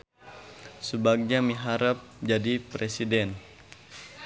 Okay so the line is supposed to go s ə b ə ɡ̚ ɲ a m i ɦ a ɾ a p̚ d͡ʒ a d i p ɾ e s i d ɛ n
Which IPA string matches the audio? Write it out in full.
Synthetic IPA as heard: s ə b a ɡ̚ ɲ a m i ɦ a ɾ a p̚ d͡ʒ a d i p ɾ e s i d ɛ n